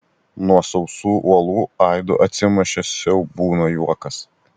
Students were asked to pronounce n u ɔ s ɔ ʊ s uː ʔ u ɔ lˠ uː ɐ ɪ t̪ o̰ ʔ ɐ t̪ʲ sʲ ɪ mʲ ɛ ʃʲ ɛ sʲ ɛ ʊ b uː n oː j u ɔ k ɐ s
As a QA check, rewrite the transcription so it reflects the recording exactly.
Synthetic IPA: n u ɔ s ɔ ʊ s uː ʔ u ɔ lˠ uː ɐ ɪ d̪ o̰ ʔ ɐ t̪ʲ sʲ ɪ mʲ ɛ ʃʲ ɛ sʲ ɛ ʊ b uː n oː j u ɔ k ɐ s